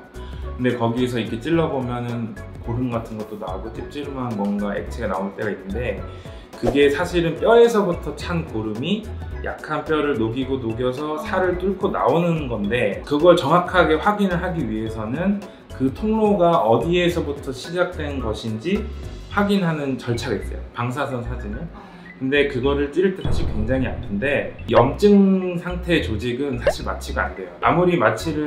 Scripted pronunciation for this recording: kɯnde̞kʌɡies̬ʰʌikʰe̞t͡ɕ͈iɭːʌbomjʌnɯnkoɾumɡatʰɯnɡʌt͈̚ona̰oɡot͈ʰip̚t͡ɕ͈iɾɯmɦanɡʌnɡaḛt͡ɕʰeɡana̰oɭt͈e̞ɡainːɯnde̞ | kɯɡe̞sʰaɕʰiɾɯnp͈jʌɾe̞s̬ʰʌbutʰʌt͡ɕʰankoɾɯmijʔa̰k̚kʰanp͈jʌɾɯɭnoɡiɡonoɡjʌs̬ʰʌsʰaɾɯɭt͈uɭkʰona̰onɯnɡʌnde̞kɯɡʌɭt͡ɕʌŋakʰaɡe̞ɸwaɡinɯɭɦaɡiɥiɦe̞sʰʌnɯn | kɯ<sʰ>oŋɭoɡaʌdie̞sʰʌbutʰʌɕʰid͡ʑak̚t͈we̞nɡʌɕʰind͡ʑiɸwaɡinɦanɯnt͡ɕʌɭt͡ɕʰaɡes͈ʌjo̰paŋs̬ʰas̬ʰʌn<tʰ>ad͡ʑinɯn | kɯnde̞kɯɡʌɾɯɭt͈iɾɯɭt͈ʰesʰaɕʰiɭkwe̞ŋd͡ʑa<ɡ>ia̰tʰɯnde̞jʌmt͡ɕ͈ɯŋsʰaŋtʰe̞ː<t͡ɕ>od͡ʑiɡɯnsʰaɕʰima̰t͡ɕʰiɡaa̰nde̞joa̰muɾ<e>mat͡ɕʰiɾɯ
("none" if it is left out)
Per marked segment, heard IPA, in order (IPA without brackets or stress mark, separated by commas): tʰ, sʰ, ŋ, t͡ɕ, i